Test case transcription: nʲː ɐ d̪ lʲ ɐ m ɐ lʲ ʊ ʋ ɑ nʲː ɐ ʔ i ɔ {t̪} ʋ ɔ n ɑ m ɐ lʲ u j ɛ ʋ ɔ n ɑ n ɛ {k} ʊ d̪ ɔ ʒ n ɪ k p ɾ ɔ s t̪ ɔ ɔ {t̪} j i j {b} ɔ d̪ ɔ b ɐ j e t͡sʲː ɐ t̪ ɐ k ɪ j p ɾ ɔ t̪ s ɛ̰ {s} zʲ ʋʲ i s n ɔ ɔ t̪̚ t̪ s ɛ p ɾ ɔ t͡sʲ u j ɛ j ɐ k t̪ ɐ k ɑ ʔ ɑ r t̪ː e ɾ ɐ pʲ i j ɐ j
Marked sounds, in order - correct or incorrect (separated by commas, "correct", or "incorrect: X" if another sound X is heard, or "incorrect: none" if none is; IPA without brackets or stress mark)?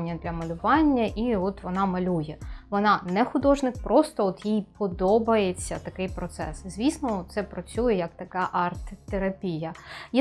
correct, incorrect: x, correct, incorrect: p, correct